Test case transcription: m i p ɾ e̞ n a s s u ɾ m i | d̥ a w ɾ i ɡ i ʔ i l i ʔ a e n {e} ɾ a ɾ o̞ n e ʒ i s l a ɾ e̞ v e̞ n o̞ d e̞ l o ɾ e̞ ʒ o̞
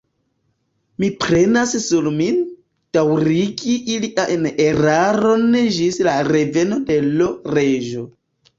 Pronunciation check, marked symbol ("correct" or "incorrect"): correct